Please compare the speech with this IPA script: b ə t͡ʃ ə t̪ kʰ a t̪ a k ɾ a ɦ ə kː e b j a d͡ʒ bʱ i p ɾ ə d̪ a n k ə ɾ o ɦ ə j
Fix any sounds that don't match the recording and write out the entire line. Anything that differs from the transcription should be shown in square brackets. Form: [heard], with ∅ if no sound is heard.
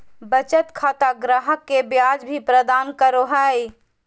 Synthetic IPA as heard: b ə t͡ʃ ə t̪ kʰ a t̪ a [ɡ] ɾ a ɦ ə kː e b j a d͡ʒ bʱ i p ɾ ə d̪ a n k ə ɾ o ɦ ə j